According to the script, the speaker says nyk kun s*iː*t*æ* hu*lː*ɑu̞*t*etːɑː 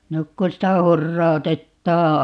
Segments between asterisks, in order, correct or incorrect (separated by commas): incorrect, correct, incorrect, correct